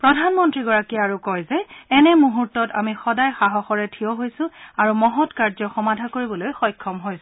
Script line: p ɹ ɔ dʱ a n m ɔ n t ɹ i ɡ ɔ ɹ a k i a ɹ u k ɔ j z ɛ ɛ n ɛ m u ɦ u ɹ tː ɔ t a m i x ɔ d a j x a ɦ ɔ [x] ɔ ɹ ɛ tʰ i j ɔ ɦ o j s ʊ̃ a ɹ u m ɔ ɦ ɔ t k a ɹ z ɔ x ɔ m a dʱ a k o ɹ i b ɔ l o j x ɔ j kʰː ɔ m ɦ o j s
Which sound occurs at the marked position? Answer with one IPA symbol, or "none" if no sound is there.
x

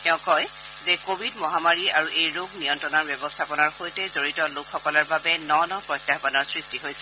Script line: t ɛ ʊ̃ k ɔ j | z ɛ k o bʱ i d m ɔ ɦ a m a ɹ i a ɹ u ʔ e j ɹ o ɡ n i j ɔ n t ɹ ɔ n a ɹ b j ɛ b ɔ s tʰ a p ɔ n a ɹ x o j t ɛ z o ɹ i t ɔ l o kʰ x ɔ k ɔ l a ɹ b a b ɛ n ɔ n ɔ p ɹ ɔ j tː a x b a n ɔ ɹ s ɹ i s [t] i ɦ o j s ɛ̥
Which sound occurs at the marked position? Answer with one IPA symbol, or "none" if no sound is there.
t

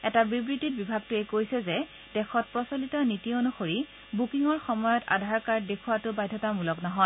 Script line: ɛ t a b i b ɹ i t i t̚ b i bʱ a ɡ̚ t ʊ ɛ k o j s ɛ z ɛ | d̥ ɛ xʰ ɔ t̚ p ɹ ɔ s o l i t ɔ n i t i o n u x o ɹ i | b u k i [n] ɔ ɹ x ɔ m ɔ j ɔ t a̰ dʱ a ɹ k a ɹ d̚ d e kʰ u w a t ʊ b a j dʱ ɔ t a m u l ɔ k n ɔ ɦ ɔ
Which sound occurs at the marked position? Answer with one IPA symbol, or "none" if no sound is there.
ŋ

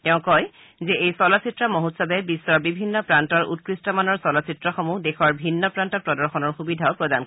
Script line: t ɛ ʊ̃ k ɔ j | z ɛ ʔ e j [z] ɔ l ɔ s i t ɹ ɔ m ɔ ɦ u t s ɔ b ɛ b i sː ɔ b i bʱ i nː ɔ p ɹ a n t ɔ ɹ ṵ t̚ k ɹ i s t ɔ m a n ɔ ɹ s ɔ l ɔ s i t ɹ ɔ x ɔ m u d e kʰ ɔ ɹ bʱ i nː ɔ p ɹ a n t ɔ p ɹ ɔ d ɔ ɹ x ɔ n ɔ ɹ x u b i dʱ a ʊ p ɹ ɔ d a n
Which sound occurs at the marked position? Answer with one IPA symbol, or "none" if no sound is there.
s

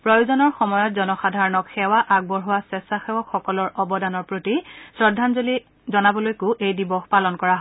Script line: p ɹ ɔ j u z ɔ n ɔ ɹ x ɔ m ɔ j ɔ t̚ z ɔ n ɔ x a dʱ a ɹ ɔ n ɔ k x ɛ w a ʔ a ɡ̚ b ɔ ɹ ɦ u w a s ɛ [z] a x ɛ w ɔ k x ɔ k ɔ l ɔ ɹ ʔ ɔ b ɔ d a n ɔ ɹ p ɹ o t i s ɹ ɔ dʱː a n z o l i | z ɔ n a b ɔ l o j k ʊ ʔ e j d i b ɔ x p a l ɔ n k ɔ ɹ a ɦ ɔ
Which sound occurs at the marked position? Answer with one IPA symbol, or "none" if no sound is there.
s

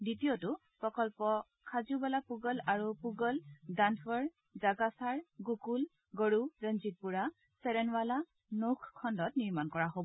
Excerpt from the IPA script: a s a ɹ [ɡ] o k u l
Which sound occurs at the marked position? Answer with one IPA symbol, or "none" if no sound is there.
ɡ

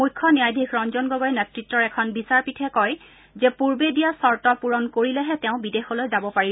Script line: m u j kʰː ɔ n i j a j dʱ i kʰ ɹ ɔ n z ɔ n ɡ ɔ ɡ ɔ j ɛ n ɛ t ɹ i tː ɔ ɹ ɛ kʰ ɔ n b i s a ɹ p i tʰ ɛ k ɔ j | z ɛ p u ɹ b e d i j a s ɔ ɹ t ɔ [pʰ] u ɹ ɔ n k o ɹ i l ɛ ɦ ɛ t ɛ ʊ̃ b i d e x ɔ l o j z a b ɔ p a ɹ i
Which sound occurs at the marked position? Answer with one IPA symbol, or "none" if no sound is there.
p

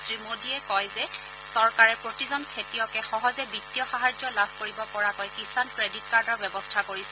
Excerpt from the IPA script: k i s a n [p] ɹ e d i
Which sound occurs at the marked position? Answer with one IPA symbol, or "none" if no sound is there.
k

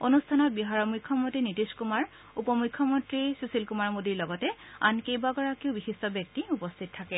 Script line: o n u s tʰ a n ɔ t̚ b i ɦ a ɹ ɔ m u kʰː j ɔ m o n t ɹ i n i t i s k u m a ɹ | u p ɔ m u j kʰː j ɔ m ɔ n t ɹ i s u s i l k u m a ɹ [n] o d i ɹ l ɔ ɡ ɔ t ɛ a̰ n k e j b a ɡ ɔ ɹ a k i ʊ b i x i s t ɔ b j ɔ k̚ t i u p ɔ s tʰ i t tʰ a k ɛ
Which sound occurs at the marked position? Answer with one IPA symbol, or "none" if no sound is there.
m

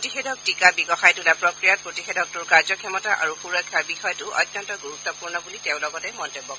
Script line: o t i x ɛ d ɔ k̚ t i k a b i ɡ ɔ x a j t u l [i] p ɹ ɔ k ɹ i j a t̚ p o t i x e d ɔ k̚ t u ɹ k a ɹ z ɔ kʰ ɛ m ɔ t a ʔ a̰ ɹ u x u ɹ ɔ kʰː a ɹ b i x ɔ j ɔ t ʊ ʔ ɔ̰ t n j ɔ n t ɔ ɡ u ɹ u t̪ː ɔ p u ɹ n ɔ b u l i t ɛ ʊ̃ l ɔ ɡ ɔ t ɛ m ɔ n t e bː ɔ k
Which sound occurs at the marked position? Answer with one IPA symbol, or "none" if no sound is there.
a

